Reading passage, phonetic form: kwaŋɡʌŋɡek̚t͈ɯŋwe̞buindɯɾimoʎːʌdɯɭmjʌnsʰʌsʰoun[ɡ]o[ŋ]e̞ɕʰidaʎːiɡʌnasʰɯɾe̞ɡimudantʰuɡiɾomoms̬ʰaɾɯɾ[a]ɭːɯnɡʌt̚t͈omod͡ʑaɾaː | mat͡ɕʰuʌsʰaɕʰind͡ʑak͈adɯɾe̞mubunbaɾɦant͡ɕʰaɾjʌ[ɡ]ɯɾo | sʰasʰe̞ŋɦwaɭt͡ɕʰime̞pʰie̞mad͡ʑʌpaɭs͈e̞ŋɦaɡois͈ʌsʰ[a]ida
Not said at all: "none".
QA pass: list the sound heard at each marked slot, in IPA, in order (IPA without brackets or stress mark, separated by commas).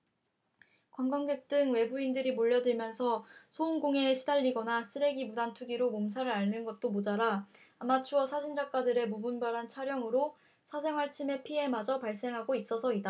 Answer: ɡ, ŋ, a, ŋ, ʌ